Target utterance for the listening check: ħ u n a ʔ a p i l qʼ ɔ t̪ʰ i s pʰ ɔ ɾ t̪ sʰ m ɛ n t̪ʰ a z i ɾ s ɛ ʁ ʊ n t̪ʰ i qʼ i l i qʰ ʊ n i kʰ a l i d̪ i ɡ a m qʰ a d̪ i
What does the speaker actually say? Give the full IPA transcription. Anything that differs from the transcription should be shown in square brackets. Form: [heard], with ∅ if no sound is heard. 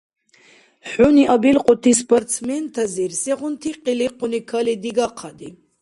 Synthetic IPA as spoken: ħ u n [i] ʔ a [b] i l qʼ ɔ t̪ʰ i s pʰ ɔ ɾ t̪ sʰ m ɛ n t̪ʰ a z i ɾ s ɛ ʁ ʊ n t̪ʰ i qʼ i l i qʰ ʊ n i kʰ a l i d̪ i ɡ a [∅] qʰ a d̪ i

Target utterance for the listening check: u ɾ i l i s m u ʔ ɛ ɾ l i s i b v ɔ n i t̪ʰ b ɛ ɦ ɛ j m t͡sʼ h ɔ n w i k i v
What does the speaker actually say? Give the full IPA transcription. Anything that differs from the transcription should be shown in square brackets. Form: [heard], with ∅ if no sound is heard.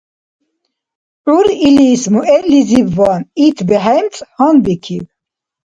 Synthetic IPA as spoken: u ɾ i l i s m u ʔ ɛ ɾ l i [z] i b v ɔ n i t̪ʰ b ɛ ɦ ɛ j m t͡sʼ h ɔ n [b] i [kʰ] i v

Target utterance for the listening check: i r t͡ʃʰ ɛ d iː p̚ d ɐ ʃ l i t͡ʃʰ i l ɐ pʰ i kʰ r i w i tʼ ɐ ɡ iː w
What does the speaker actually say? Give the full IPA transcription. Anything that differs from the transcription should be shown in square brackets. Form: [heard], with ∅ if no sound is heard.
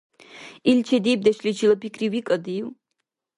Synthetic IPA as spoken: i [l] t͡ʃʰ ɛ d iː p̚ d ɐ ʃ l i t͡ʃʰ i l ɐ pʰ i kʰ r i w i [kʼ] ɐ [d] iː w

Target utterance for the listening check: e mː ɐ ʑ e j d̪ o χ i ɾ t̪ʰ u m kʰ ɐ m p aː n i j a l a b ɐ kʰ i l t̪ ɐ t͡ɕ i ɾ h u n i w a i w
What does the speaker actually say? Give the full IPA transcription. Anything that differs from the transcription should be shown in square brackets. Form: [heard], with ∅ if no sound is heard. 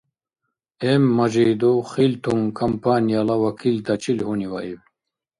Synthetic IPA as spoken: e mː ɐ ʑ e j d̪ o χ i [l] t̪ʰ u [ŋ] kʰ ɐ m p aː n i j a l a [w] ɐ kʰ i l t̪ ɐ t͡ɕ i [l] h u n i w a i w

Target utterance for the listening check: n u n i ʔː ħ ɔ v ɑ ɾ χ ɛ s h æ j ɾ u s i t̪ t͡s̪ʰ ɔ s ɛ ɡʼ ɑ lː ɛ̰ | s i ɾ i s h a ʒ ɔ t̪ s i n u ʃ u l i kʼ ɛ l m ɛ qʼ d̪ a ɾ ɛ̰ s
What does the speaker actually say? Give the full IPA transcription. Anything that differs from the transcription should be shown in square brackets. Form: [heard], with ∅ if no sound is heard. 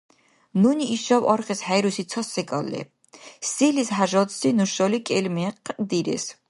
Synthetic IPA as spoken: n u n i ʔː [ʃ] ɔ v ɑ ɾ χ ɛ s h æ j ɾ u s i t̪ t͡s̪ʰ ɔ s ɛ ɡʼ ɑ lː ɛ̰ | s i [l] i s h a ʒ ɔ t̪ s i n u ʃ [ɔ] l i kʼ ɛ l m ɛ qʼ d̪ [i] ɾ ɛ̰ s

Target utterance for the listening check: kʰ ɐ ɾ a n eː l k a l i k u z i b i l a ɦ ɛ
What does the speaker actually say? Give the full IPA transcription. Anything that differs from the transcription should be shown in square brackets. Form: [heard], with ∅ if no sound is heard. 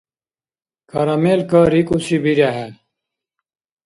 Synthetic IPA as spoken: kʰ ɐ ɾ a [m] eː l k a [ɾ] i k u [s] i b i [ɾ] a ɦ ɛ

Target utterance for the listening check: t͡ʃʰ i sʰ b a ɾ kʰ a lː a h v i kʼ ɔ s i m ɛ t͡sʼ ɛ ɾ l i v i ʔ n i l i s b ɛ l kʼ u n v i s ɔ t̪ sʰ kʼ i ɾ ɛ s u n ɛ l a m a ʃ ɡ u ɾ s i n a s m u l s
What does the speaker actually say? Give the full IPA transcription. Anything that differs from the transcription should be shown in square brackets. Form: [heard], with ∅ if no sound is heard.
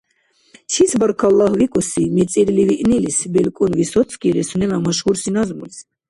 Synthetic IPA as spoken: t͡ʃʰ i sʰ b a ɾ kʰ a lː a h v i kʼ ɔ s i m ɛ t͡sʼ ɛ ɾ l i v i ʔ n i l i s b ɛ l kʼ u n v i s ɔ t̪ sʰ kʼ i ɾ ɛ s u n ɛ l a m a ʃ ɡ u ɾ s i n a [z] m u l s

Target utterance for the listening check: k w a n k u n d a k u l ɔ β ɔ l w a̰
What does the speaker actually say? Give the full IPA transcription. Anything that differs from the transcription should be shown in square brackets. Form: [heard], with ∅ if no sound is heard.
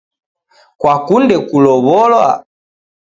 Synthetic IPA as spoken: k w a [∅] k u n d [ɛ] k u l ɔ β ɔ l w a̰

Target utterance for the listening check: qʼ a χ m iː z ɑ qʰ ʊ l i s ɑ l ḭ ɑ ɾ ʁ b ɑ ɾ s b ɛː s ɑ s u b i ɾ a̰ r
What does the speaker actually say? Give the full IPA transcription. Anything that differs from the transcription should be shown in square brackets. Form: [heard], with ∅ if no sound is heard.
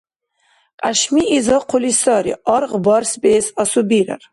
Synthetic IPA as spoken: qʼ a [ʃ] m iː z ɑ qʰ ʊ l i s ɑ [ɾ] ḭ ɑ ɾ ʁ b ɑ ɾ s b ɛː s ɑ s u b i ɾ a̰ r

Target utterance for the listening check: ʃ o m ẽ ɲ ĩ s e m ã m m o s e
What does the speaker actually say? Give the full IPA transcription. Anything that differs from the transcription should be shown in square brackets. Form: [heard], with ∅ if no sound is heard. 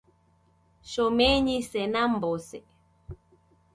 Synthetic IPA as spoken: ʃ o m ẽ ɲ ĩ s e [n] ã m [b] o s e

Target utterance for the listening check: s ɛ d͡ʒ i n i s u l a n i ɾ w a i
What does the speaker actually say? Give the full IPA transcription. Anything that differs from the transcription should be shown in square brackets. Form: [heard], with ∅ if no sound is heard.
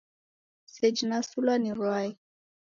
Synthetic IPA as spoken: s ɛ d͡ʒ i n [a] s u l a n i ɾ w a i

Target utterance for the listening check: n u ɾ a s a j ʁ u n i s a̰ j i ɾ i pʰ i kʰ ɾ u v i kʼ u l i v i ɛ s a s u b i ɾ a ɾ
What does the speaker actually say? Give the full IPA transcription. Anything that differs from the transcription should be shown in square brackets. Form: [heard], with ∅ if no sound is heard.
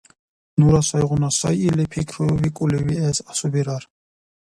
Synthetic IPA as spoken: n u ɾ a s a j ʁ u n [a] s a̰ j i [l] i pʰ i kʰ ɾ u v i kʼ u l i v i ɛ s a s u b i ɾ a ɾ

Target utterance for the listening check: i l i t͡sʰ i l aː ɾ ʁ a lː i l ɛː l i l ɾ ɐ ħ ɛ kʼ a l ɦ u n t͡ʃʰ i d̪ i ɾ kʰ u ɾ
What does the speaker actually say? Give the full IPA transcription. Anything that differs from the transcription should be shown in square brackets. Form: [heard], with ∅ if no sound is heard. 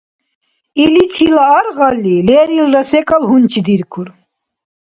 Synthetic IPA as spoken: i l i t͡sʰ i l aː ɾ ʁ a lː i l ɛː [ɾ] i l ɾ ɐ [s] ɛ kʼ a l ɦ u n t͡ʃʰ i d̪ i ɾ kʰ u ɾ

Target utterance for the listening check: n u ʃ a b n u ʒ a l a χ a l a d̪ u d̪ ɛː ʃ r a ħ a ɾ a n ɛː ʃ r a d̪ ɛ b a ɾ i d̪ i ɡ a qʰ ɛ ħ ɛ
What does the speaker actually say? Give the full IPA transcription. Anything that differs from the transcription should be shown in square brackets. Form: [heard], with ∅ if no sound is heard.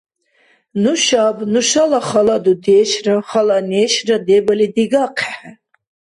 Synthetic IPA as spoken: n u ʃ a b n u [ʃ] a l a χ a l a d̪ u d̪ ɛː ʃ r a [χ] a [l] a n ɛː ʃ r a d̪ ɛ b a [l] i d̪ i ɡ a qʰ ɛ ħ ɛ

